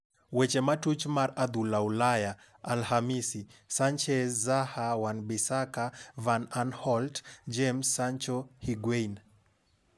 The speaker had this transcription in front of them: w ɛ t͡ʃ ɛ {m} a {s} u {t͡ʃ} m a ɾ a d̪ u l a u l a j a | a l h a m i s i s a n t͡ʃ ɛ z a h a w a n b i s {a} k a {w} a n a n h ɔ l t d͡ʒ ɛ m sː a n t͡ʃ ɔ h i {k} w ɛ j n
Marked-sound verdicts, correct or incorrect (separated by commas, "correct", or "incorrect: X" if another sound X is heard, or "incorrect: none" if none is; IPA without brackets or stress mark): correct, incorrect: t, correct, correct, incorrect: v, incorrect: ɡ